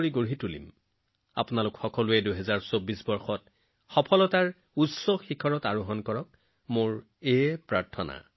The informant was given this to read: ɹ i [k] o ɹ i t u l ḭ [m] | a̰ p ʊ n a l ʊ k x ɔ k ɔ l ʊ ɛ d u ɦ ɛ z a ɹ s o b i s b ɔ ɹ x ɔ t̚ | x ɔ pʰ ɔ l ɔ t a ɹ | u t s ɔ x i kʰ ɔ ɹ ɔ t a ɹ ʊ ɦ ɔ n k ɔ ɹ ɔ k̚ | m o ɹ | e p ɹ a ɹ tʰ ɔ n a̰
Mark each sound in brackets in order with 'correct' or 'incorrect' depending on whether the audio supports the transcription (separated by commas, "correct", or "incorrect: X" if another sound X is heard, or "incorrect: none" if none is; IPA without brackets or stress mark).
incorrect: ɡ, correct